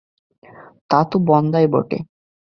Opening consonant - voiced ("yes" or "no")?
no